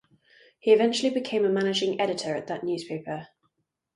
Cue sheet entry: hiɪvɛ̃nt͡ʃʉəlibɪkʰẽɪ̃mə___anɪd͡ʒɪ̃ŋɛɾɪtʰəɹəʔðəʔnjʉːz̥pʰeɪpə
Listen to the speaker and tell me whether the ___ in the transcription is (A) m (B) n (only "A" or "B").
A